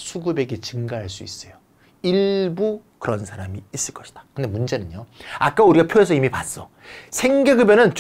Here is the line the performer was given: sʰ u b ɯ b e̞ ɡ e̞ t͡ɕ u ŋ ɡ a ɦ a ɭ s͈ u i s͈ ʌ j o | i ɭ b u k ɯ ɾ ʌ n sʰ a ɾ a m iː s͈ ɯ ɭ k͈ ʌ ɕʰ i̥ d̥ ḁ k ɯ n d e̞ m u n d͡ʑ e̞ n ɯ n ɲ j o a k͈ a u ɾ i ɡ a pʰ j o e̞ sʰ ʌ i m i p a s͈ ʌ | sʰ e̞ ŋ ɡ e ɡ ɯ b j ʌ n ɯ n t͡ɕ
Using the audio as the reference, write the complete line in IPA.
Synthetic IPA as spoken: sʰ u ɡ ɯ b e̞ ɡ e̞ t͡ɕ ɯ ŋ ɡ a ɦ a ɭ s͈ u i s͈ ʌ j o | i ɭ b u k ɯ ɾ ʌ n sʰ a ɾ a m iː s͈ ɯ ɭ k͈ ʌ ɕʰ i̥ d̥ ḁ k ɯ n d e̞ m u n d͡ʑ e̞ n ɯ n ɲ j o a k͈ a u ɾ i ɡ a pʰ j o e̞ sʰ ʌ i m i p a s͈ ʌ | sʰ e̞ ŋ ɡ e ɡ ɯ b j ʌ n ɯ n t͡ɕ